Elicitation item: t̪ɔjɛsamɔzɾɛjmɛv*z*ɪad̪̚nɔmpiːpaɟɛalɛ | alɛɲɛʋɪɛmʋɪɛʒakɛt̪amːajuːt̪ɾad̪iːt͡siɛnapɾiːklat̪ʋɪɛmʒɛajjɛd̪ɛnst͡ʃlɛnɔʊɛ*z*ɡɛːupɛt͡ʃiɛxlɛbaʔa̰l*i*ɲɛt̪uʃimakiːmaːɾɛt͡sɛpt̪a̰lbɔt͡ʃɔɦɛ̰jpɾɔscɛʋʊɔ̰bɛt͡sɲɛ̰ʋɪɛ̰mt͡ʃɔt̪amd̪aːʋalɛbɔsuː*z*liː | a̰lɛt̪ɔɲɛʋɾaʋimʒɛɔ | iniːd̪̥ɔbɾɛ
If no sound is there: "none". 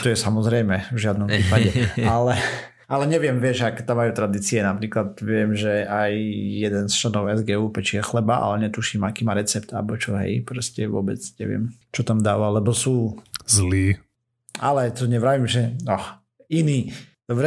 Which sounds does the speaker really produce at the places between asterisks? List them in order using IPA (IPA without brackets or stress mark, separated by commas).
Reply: ʒ, z, ɛ, z